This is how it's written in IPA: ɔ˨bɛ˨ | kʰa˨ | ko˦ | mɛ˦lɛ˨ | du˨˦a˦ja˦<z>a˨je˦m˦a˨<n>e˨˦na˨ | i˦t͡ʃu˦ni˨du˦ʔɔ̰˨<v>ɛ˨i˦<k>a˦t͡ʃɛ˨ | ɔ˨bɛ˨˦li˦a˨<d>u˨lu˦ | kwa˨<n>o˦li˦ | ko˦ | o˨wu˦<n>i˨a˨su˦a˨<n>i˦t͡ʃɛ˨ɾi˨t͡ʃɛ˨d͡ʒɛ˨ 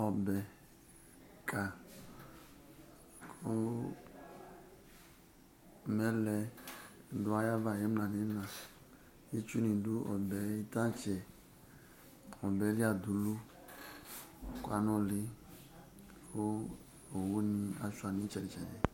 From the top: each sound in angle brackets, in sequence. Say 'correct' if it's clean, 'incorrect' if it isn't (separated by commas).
incorrect, correct, incorrect, incorrect, correct, correct, correct, correct